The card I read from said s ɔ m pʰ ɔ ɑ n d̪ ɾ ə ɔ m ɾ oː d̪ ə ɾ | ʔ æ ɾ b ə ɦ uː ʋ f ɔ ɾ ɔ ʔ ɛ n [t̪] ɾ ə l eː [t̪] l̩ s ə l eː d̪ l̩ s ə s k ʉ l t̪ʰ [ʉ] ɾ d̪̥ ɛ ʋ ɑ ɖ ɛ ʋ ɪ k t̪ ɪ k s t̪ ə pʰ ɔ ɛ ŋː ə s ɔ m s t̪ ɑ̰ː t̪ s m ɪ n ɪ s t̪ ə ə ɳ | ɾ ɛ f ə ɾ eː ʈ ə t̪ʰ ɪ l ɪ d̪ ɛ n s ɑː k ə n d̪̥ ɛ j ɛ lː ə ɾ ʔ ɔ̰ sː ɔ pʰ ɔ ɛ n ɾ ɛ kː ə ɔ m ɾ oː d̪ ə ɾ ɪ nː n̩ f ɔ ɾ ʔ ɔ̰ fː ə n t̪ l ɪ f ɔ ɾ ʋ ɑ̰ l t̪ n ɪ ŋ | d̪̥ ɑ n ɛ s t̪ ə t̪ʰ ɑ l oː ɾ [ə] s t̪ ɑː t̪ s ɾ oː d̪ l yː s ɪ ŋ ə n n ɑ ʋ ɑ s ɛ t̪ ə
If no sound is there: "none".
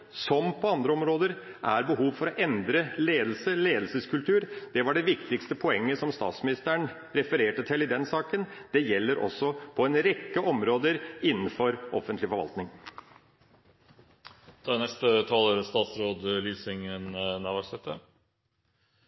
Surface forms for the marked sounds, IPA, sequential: d̪, d̪, ʉː, ə

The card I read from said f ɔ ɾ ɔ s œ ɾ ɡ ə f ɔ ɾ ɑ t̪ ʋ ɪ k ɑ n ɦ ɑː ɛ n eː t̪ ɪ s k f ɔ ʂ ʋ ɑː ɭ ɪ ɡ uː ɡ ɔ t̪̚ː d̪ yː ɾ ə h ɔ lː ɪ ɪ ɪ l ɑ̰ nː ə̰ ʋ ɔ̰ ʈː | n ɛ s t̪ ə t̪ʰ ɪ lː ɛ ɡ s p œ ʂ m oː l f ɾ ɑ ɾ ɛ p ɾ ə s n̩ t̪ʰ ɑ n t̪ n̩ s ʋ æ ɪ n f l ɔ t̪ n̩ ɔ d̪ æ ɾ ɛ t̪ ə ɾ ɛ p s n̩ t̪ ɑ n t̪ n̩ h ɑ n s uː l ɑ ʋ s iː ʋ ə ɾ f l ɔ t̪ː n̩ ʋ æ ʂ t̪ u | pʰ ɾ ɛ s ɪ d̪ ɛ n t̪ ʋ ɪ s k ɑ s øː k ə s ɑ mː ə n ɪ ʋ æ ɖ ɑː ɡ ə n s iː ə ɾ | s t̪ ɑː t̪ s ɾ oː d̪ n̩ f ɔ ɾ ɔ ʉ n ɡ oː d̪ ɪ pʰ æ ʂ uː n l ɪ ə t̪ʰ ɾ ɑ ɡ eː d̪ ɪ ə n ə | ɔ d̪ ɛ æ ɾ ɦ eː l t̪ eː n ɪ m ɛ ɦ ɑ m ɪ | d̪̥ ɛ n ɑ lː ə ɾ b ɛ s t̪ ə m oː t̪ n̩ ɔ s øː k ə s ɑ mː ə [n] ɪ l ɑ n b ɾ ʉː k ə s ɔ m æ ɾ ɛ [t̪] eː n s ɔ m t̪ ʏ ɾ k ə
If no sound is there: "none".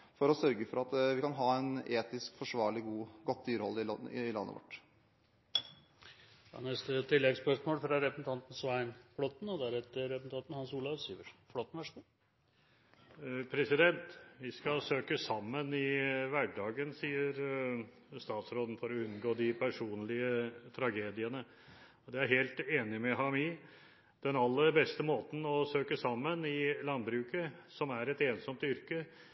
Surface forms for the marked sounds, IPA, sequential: n, t̪

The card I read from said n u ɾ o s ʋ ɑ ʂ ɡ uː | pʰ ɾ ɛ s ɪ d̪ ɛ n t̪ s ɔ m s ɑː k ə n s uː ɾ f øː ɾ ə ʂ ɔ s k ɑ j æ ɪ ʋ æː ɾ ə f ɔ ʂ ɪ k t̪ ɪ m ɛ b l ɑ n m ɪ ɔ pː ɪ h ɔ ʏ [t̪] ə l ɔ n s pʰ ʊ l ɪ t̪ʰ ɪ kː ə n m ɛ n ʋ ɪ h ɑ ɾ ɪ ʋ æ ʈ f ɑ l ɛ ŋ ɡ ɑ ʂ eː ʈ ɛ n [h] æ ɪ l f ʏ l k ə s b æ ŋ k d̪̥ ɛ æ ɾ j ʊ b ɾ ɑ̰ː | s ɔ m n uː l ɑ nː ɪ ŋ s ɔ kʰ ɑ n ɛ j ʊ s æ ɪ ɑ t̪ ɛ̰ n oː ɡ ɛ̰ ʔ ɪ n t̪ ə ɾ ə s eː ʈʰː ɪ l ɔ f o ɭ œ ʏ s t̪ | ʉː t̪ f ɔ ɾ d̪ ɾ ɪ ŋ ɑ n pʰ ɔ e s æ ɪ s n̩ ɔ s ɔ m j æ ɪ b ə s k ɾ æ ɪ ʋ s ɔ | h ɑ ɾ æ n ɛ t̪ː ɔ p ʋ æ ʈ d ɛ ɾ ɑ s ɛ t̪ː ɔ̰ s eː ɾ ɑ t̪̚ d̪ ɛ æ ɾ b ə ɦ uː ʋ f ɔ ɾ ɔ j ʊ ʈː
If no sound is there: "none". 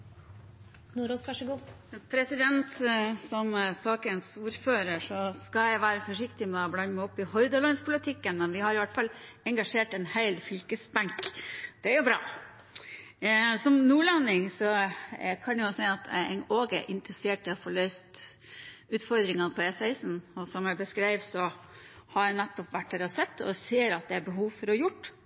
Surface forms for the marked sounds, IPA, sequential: d̪, h

